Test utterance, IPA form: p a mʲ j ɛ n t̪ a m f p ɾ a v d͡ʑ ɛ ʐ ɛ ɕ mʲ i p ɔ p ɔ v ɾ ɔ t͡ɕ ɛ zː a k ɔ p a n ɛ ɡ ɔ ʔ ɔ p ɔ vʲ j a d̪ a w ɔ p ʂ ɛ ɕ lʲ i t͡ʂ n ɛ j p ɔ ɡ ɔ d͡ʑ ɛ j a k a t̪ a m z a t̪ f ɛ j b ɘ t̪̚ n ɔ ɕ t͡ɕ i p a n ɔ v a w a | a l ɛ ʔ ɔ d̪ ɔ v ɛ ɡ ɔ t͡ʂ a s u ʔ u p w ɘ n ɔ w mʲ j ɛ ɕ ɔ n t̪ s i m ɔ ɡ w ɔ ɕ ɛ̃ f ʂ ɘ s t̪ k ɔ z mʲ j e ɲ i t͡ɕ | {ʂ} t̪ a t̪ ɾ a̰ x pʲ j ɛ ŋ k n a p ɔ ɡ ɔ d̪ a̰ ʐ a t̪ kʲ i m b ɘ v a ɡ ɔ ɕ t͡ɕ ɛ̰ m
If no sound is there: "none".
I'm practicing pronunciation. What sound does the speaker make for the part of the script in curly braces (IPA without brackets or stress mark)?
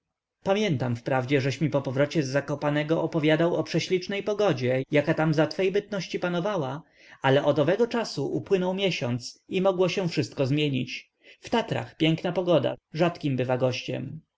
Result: f